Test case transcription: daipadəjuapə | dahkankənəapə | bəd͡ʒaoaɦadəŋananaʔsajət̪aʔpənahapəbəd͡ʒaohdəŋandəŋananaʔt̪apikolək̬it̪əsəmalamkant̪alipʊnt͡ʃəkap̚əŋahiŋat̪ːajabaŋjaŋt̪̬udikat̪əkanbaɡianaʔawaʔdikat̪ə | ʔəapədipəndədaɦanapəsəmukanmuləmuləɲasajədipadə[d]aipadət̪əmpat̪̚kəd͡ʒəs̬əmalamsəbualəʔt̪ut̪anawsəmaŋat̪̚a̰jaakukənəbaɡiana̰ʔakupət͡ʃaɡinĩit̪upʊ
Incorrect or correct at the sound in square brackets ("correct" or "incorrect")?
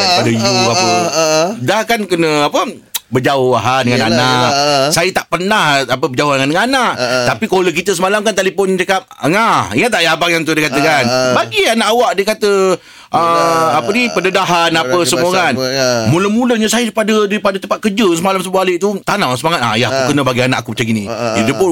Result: correct